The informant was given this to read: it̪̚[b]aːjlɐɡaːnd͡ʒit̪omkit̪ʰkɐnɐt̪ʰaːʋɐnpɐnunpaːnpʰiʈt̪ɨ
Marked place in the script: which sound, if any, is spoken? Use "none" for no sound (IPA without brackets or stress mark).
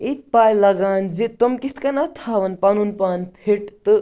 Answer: p